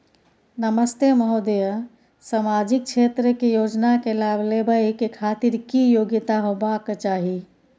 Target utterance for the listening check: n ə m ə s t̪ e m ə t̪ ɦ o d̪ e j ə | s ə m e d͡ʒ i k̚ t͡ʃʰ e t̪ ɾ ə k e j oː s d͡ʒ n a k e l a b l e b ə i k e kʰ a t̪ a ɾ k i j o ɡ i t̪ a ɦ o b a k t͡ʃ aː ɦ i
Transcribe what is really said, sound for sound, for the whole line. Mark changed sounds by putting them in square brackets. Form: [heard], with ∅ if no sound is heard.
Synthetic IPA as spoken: n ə m ə s t̪ e m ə [∅] ɦ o d̪ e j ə | s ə m [a] d͡ʒ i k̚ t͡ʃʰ e t̪ ɾ ə k e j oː [∅] d͡ʒ n a k e l a b l e b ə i k e kʰ a t̪ [i] ɾ k i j o ɡ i t̪ a ɦ o b a k t͡ʃ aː ɦ i

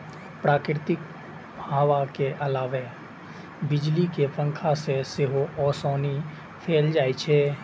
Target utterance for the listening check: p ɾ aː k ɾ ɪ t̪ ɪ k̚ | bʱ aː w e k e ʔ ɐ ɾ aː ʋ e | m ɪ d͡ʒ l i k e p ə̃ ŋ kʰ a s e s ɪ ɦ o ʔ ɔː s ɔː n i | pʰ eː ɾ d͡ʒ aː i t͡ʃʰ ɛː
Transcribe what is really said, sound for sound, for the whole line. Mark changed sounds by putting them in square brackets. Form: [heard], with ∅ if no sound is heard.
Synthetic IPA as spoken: p ɾ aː k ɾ ɪ t̪ ɪ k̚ | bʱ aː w [a] k e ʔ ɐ [l] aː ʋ e | [b] ɪ d͡ʒ l i k e p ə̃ ŋ kʰ a s e s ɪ ɦ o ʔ ɔː s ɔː n i | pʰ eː [l] d͡ʒ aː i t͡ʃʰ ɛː

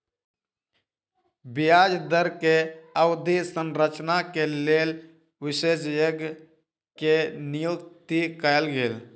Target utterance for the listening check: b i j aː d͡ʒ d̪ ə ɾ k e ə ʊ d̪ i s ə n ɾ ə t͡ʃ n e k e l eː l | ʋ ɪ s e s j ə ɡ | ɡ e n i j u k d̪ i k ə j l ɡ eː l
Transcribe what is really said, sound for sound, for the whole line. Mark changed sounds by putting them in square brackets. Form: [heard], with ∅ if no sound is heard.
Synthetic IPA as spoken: b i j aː d͡ʒ d̪ ə ɾ k e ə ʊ d̪ i s ə n ɾ ə t͡ʃ n [a] k e l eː l | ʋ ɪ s e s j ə ɡ | [k] e n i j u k [t̪] i k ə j l ɡ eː l

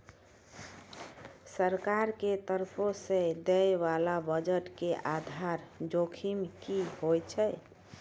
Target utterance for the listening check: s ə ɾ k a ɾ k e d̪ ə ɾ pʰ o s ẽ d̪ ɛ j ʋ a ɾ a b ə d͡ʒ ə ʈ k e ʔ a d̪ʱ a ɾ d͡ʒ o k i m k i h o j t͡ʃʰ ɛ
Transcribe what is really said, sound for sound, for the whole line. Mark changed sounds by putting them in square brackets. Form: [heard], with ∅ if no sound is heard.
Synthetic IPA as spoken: s ə ɾ k a ɾ k e [t̪] ə ɾ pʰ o s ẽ d̪ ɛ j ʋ a [l] a b ə d͡ʒ ə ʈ k e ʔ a d̪ʱ a ɾ d͡ʒ o [kʰ] i m k i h o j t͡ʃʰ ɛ

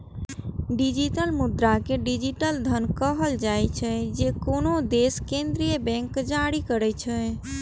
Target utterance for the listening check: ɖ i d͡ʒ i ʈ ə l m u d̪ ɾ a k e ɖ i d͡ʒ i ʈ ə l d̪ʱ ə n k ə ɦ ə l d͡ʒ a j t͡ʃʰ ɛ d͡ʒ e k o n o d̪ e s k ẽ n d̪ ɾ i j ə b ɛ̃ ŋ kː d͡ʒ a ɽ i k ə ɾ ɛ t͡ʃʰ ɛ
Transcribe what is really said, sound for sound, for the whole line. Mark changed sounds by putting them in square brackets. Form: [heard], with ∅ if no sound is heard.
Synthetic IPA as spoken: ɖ i d͡ʒ i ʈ ə l m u d̪ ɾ a k e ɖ i d͡ʒ i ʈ ə l d̪ʱ ə n k ə ɦ ə l d͡ʒ a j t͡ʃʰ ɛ d͡ʒ e k o n o d̪ e s k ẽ n d̪ ɾ i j ə b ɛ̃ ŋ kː d͡ʒ a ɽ i k ə ɾ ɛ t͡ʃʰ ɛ

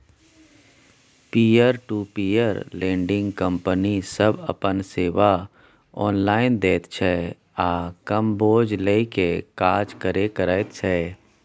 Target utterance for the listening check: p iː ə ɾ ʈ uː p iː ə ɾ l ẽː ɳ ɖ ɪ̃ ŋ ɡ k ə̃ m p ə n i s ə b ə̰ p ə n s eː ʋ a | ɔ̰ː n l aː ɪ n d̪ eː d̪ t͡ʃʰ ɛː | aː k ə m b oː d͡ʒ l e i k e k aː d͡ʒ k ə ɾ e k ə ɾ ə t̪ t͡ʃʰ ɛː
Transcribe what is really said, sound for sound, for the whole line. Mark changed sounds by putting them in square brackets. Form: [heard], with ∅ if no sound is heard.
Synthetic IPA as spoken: p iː ə ɾ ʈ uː p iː ə ɾ l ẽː ɳ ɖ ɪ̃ ŋ ɡ k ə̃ m p ə n i s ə b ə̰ p ə n s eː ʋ a | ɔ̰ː n l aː ɪ n d̪ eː [t̪] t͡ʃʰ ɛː | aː k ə m b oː d͡ʒ l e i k e k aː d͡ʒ k ə ɾ e k ə ɾ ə t̪ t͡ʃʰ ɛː

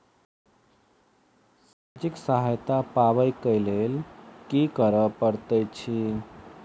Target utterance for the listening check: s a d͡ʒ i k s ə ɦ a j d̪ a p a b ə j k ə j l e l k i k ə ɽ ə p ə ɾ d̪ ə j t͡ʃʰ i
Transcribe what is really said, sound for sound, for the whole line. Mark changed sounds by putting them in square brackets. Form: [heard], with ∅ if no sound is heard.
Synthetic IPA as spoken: s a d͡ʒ i k s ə ɦ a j [t̪] a p a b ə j k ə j l e l k i k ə [ɾ] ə p ə ɾ [t̪] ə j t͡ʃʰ i

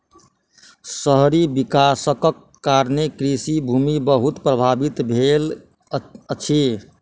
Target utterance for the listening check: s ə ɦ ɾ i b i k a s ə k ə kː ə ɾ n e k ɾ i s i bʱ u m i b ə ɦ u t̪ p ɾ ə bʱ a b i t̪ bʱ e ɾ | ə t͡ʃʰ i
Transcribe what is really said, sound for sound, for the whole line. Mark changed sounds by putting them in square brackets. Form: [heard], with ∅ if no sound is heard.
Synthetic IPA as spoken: s ə ɦ ɾ i b i k a s ə k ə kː [a] ɾ n e k ɾ i s i bʱ u m i b ə ɦ u t̪ p ɾ ə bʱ a b i t̪ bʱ e [l] | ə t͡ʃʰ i

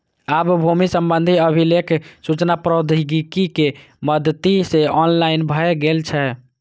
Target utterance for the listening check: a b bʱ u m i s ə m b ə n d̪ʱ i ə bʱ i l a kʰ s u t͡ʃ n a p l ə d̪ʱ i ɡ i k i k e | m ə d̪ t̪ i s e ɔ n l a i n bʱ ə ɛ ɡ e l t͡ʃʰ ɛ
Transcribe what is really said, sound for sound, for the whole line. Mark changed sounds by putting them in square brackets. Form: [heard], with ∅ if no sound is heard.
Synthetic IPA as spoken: a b bʱ u m i s ə m b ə n d̪ʱ i ə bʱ i l [e] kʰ s u t͡ʃ n a p [ɾ] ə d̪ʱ i ɡ i k i k e | m ə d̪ t̪ i s e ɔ n l a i n bʱ ə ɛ ɡ e l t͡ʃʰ ɛ

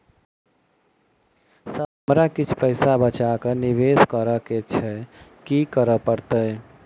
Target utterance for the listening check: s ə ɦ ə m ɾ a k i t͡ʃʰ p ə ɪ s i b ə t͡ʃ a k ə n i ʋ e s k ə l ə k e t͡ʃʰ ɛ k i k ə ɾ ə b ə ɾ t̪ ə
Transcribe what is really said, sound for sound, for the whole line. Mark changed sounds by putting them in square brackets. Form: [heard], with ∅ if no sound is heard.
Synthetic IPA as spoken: s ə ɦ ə m ɾ a k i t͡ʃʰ p ə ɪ s [a] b ə t͡ʃ a k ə n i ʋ e s k ə [ɾ] ə k e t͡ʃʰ ɛ k i k ə ɾ ə [p] ə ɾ t̪ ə

